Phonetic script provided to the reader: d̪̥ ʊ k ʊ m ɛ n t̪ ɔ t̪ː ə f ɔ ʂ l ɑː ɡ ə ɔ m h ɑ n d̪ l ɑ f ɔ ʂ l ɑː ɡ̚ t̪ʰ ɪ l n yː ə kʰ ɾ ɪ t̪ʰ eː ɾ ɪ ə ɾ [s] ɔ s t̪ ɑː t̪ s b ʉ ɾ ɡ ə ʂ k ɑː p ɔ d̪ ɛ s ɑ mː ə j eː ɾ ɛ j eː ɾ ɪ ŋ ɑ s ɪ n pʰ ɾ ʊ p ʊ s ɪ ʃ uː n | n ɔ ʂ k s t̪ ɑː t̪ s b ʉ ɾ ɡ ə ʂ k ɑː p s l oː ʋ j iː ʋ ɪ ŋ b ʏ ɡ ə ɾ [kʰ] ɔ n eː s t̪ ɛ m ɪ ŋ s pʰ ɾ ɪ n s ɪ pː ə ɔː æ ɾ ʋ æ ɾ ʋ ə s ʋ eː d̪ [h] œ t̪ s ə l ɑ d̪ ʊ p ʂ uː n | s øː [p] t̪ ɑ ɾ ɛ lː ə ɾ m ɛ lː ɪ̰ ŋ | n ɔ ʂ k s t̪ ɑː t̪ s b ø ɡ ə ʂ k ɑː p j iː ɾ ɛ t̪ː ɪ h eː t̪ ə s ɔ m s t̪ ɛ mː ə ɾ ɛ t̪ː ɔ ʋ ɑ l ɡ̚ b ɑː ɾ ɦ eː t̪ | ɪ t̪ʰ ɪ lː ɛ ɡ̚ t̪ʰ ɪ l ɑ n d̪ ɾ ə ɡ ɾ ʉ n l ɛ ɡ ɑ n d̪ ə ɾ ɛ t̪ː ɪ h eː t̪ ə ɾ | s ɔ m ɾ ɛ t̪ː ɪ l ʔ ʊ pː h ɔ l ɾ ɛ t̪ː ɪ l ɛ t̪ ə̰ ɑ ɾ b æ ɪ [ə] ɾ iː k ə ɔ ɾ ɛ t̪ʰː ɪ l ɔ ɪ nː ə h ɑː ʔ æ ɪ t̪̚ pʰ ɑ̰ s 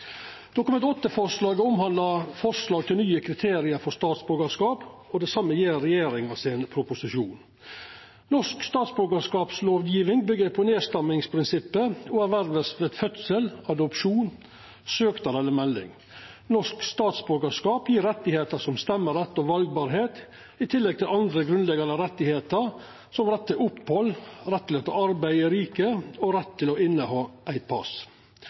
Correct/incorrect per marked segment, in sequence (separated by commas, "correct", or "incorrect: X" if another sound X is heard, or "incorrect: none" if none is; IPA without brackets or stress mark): incorrect: f, incorrect: pʰ, incorrect: f, incorrect: k, correct